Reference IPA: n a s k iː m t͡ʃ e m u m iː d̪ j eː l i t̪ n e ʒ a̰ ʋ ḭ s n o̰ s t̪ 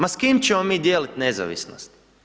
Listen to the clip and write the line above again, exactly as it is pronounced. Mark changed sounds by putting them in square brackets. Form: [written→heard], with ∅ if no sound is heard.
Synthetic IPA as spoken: [n→m] a s k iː m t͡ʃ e m [u→o] m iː d̪ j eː l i t̪ n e [ʒ→z] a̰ ʋ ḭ s n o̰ s t̪

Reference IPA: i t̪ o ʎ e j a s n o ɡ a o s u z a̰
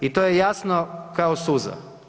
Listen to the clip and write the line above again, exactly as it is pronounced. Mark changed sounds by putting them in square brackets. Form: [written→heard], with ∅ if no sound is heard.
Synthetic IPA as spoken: i t̪ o [ʎ→j] e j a s n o [ɡ→k] a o s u z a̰

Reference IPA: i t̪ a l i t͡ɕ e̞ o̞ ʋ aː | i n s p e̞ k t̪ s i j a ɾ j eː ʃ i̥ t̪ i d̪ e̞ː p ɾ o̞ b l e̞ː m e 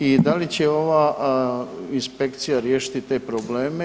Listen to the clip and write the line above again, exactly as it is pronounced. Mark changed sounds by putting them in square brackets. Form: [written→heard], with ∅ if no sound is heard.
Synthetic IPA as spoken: i [t̪→d̪] a l i t͡ɕ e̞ o̞ ʋ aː | i n s p e̞ k t̪ s i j a ɾ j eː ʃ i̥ t̪ i [d̪→t̪] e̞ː p ɾ o̞ b l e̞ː m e

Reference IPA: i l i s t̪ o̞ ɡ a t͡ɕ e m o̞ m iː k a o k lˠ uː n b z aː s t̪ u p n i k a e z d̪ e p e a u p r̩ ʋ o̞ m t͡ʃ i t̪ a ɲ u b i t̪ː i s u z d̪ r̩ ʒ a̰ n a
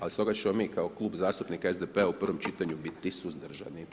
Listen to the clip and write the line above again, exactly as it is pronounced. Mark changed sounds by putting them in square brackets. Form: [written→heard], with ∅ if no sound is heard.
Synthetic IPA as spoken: [i→a] l i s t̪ o̞ ɡ a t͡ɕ e m o̞ m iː k a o k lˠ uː [n→∅] b z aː s t̪ u p n i k a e z d̪ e p e a u p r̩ ʋ o̞ m t͡ʃ i t̪ a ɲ u b i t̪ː i s u z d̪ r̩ ʒ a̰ n [a→i]

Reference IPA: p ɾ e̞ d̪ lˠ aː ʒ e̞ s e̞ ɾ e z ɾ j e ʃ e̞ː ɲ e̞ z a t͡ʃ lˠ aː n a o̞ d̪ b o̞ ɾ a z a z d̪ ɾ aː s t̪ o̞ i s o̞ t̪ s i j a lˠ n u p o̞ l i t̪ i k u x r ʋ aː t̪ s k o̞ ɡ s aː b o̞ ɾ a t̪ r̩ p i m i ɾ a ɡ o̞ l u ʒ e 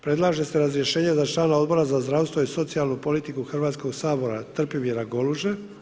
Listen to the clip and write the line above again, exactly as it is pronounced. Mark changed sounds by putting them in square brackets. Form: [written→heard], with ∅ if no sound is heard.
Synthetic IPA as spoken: p ɾ e̞ d̪ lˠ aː ʒ e̞ s e̞ ɾ [e→a] z ɾ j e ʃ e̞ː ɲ e̞ z a t͡ʃ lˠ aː n a o̞ d̪ b o̞ ɾ a z a z d̪ ɾ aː s t̪ o̞ i s o̞ t̪ s i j a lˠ n u p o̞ l i t̪ i k u x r ʋ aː t̪ s k o̞ ɡ s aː b o̞ ɾ a t̪ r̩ p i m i ɾ a ɡ o̞ l u ʒ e

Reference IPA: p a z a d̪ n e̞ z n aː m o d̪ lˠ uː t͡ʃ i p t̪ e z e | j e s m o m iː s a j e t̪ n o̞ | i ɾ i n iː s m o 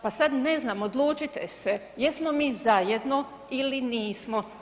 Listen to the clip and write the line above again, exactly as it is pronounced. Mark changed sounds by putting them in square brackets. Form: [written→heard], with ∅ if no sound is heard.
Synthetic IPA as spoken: p a [z→s] a d̪ n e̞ z n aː m o d̪ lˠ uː t͡ʃ i [p→∅] t̪ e [z→s] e | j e s m o m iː [s→z] a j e [t̪→d̪] n o̞ | i [ɾ→l] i n iː s m o

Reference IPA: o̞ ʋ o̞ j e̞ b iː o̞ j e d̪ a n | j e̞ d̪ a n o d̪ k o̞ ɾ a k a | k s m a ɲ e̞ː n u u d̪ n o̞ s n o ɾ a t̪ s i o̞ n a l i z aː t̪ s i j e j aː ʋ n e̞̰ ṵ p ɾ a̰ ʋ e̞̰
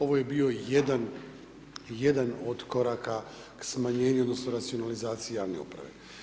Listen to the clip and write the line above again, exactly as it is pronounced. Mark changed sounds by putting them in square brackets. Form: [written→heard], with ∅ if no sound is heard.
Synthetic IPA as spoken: o̞ ʋ o̞ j e̞ b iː o̞ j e d̪ a n | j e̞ d̪ a n o d̪ k o̞ ɾ a k a | k s m a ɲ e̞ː [n→ɲ] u [u→o] d̪ n o̞ s n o ɾ a t̪ s i o̞ n a l i z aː t̪ s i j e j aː ʋ n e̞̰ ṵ p ɾ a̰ ʋ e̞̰

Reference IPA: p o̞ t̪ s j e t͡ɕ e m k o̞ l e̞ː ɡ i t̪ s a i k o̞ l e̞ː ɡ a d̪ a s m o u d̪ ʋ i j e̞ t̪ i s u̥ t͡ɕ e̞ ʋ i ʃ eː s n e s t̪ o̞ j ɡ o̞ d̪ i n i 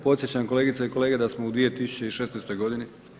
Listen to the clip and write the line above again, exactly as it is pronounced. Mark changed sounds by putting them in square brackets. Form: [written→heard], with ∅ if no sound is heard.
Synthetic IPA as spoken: p o̞ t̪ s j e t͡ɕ [e→a] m k o̞ l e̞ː ɡ i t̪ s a i k o̞ l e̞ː ɡ [a→e] d̪ a s m o u d̪ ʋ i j e̞ t̪ i s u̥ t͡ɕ e̞ [ʋ→∅] i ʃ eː s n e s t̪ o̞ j ɡ o̞ d̪ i n i

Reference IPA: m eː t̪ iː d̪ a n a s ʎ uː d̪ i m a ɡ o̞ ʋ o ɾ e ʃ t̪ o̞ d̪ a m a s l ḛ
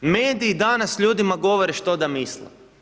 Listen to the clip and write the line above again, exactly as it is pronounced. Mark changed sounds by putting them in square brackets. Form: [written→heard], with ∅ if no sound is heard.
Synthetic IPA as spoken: m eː [t̪→d̪] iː d̪ a n a s ʎ uː d̪ i m a ɡ o̞ ʋ o ɾ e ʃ t̪ o̞ d̪ a m [a→i] s l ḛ

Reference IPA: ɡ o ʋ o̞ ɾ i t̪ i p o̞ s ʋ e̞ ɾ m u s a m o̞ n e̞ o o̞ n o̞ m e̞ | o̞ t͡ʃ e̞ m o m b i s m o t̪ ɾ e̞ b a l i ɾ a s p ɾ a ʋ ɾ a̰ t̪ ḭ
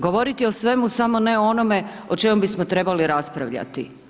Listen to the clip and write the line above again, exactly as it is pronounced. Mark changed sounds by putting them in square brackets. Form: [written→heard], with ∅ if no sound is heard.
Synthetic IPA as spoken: ɡ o ʋ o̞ ɾ i t̪ i [p→∅] o̞ s ʋ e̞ [ɾ→∅] m u s a m o̞ n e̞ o o̞ n o̞ m e̞ | o̞ t͡ʃ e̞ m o m b i s m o t̪ ɾ e̞ b a l i ɾ a s p ɾ a ʋ [ɾ→ʎ] a̰ t̪ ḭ

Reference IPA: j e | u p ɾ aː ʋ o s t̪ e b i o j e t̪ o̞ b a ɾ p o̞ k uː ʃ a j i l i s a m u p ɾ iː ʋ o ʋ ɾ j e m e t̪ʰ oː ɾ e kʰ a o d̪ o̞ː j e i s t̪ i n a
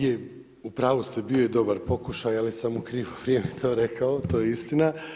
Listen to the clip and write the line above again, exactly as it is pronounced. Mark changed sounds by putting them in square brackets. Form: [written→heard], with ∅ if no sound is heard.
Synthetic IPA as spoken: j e | u p ɾ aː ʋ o s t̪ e b i o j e [t̪→d̪] o̞ b a ɾ p o̞ k [uː→u] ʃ a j [i→a] l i s a m u [p→k] ɾ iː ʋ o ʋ ɾ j e m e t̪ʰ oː ɾ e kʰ a o [d̪→t̪] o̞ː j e i s t̪ i n a

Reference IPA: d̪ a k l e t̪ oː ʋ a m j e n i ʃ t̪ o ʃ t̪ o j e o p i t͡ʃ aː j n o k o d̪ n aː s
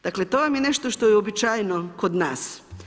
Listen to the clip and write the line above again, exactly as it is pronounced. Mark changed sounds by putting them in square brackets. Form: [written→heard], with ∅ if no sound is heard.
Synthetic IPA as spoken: d̪ a k l e t̪ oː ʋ a m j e n [i→e] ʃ t̪ o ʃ t̪ o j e o [p→b] i t͡ʃ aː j n o k o d̪ n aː s

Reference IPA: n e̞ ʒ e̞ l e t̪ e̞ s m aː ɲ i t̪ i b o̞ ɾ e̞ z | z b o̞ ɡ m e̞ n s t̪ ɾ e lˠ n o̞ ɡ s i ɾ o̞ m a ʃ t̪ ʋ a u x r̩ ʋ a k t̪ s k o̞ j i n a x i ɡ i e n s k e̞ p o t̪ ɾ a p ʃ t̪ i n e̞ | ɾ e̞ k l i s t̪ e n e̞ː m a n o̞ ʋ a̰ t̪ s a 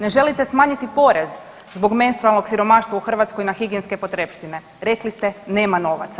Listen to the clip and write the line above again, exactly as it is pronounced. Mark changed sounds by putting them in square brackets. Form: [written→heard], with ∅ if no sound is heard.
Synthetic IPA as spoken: n e̞ ʒ e̞ l [e→i] t̪ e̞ s m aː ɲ i t̪ i [b→p] o̞ ɾ e̞ z | z b o̞ ɡ m e̞ n s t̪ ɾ [e→a] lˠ n o̞ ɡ s i ɾ o̞ m a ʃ t̪ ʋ a u x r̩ ʋ a [k→∅] t̪ s k o̞ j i n a x i ɡ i e n s k e̞ p o t̪ ɾ [a→e] p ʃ t̪ i n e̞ | ɾ e̞ k l i s t̪ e n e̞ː m a n o̞ ʋ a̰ t̪ s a

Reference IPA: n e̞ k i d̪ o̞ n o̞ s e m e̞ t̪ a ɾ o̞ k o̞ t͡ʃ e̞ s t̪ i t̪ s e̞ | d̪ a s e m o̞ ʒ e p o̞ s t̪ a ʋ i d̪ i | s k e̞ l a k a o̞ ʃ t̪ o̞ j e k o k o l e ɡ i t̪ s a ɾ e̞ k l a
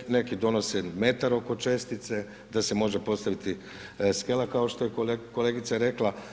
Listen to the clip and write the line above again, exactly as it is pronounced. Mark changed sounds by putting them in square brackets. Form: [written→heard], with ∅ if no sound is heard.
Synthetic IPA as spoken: n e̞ k i d̪ o̞ n o̞ s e m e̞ t̪ a ɾ o̞ k o̞ t͡ʃ e̞ s t̪ i t̪ s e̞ | d̪ a s e m o̞ ʒ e p o̞ s t̪ a ʋ i [d̪→t̪] i | s k e̞ l a k a o̞ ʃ t̪ o̞ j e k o k o l e ɡ i t̪ s a ɾ e̞ k l a

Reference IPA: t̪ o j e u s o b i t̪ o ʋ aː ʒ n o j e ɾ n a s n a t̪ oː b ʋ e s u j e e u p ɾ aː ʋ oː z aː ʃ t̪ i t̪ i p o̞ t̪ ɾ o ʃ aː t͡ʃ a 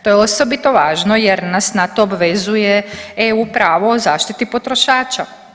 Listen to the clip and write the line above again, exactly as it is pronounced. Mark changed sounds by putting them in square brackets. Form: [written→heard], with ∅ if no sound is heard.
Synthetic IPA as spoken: t̪ o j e [u→o] s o b i t̪ o ʋ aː ʒ n o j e ɾ n a s n a t̪ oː b ʋ e [s→z] u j e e u p ɾ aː ʋ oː z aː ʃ t̪ i t̪ i p o̞ t̪ ɾ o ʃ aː t͡ʃ a

